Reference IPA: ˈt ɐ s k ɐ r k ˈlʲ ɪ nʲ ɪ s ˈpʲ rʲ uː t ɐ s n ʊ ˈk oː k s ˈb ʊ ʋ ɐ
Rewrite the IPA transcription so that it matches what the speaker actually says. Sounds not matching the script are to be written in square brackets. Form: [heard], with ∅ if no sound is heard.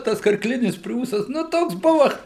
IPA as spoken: ˈt ɐ s k ɐ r k ˈlʲ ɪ nʲ ɪ s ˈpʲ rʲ uː [s] ɐ s n ʊ [ˈt] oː k s ˈb ʊ ʋ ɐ